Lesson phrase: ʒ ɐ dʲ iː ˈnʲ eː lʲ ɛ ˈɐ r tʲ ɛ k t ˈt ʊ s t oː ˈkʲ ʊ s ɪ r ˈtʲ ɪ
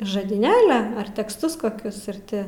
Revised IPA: ʒ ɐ dʲ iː ˈnʲ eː lʲ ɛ ˈɐ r tʲ ɛ k s ˈt ʊ s k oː ˈkʲ ʊ s ɪ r ˈtʲ ɪ